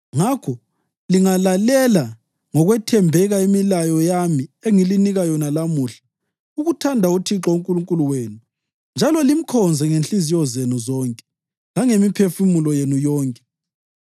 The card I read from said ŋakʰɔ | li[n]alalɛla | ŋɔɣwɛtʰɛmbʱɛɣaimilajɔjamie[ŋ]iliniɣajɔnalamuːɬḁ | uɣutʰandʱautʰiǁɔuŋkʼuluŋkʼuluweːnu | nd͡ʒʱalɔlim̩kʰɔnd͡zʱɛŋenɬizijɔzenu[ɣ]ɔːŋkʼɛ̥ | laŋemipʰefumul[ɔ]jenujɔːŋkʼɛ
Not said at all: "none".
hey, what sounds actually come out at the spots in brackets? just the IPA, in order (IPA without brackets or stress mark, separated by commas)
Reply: ŋ, ŋ, z, ɔ